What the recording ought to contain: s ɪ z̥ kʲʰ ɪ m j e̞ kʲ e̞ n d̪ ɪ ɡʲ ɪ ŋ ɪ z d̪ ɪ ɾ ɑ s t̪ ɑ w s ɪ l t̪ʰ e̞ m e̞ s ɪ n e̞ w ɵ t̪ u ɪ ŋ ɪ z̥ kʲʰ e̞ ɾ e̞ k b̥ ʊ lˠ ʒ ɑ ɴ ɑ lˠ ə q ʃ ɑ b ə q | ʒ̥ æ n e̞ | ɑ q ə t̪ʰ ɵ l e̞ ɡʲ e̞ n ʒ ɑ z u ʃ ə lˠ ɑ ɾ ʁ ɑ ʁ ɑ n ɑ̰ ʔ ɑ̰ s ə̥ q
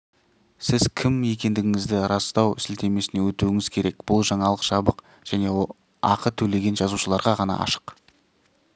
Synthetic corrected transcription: s ɪ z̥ kʲʰ ɪ m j e̞ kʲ e̞ n d̪ ɪ ɡʲ ɪ ŋ ɪ z d̪ ɪ ɾ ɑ s t̪ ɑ w s ɪ l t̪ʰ e̞ m e̞ s ɪ n e̞ w ɵ t̪ u ɪ ŋ ɪ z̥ kʲʰ e̞ ɾ e̞ k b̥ ʊ lˠ ʒ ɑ ɴ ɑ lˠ ə q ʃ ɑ b ə q | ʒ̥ æ n e̞ | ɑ q ə t̪ʰ ɵ l e̞ ɡʲ e̞ n ʒ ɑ z u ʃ ə lˠ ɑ ɾ ʁ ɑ ʁ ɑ n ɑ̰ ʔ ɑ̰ ʃ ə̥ q